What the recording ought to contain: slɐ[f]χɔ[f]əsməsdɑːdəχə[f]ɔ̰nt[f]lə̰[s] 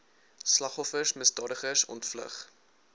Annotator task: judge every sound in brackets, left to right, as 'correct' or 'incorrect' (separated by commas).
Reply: incorrect, correct, incorrect, correct, incorrect